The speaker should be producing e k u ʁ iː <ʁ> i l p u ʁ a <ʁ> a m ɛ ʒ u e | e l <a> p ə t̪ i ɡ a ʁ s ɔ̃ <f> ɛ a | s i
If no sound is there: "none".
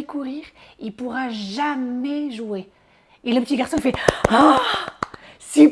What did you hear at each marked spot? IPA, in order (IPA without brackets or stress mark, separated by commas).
ʁ, ʒ, ə, f